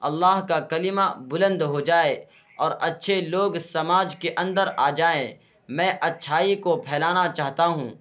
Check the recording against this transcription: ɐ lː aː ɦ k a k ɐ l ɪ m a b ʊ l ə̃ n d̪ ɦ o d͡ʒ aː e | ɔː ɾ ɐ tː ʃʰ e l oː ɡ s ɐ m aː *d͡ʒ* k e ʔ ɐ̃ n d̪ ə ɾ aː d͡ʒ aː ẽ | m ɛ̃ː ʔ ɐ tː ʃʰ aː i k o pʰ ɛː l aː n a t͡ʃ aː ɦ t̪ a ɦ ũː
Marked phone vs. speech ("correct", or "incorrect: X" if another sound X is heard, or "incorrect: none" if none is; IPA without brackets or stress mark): correct